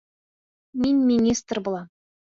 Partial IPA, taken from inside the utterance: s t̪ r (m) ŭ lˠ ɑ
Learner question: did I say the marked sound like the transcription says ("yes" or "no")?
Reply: no